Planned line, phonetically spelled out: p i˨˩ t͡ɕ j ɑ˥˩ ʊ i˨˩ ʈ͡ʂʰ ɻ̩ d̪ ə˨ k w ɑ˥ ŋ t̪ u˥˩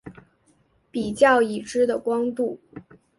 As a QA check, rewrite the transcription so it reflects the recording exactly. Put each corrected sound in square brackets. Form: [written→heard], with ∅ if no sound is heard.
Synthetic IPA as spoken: p i˨˩ t͡ɕ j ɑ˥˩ ʊ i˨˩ [ʈ͡ʂʰ→ʈ͡ʂ] ɻ̩ d̪ ə˨ k w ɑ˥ ŋ t̪ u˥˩

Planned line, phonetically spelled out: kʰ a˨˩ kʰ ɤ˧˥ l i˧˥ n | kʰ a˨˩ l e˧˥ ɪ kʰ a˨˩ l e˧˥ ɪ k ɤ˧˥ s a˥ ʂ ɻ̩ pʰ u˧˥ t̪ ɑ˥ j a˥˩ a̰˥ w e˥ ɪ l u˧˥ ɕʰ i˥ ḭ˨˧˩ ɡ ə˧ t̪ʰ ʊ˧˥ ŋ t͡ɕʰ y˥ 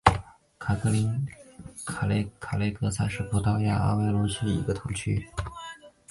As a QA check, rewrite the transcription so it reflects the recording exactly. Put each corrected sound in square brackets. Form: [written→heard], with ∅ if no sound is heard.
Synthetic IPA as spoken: kʰ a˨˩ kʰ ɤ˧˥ l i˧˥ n | kʰ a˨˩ l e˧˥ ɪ kʰ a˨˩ l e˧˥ ɪ k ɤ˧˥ s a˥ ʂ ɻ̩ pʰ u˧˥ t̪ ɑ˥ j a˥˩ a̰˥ w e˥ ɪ l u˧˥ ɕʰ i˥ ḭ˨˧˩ ɡ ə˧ t̪ʰ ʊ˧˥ ŋ t͡ɕʰ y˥

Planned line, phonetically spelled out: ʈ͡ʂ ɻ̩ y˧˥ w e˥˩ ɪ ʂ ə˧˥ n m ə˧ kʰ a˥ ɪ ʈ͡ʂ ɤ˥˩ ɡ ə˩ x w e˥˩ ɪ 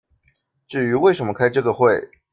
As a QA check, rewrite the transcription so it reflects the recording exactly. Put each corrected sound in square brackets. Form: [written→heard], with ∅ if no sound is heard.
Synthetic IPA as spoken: ʈ͡ʂ ɻ̩ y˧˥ w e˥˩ ɪ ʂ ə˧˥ n m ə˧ kʰ a˥ ɪ ʈ͡ʂ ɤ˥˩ ɡ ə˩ x w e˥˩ ɪ

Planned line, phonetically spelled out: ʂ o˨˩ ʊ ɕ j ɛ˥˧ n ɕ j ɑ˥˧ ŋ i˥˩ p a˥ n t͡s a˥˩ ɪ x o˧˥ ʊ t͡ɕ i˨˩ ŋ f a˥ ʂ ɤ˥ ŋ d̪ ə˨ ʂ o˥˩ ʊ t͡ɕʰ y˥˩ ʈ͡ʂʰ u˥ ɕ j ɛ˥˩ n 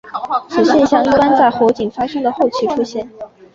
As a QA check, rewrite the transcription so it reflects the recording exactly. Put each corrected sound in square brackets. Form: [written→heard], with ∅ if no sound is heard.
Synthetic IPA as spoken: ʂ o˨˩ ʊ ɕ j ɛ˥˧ n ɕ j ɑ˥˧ ŋ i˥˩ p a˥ n t͡s a˥˩ ɪ x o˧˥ ʊ t͡ɕ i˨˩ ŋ f a˥ ʂ ɤ˥ ŋ d̪ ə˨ [ʂ→x] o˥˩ ʊ t͡ɕʰ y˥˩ ʈ͡ʂʰ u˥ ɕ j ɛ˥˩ n

